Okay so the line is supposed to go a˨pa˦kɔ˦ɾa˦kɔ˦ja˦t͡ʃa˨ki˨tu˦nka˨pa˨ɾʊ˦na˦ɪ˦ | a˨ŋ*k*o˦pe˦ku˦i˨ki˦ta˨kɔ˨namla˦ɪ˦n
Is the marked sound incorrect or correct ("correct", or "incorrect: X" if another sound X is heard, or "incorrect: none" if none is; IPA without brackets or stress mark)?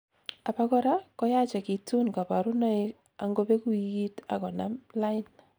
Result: incorrect: ɡ